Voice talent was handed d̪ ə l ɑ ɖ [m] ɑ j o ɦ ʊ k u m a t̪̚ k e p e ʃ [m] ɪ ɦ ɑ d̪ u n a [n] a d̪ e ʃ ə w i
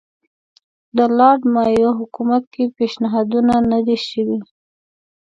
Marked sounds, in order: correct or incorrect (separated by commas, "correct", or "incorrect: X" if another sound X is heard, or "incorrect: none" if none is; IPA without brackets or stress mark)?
correct, incorrect: n, correct